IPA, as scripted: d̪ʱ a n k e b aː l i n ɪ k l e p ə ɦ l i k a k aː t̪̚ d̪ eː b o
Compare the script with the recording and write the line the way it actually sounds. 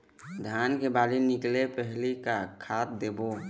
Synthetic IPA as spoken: d̪ʱ a n k e b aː l i n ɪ k l e p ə ɦ l i k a kʰ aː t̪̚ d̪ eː b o